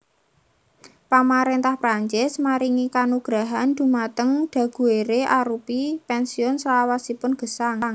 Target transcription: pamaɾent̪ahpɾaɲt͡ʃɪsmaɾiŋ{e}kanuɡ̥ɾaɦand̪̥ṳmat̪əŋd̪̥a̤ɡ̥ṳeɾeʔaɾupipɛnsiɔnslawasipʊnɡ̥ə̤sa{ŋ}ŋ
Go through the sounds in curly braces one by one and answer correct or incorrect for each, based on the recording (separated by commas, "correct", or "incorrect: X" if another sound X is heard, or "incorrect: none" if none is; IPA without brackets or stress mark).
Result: incorrect: i, correct